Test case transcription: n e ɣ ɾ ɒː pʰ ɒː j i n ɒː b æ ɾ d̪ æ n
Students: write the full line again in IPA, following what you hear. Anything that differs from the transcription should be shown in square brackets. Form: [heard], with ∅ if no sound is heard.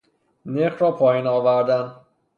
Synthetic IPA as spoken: n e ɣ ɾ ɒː pʰ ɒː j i n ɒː [v] æ ɾ d̪ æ n